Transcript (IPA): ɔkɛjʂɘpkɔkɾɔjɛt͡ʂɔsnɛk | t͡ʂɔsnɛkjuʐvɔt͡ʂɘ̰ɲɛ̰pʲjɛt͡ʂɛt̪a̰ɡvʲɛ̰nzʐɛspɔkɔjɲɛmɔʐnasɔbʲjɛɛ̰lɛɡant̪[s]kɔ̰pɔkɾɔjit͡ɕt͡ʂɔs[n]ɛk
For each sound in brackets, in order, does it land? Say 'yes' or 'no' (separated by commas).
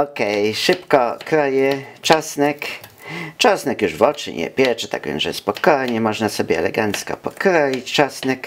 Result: yes, yes